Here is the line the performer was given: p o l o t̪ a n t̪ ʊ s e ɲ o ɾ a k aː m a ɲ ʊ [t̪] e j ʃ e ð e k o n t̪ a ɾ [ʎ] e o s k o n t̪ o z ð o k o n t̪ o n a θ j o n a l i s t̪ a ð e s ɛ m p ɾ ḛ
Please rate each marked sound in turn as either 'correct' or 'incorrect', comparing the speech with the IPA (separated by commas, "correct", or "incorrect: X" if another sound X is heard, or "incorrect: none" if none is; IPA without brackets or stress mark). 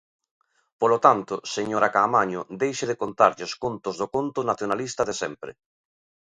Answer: incorrect: d̪, correct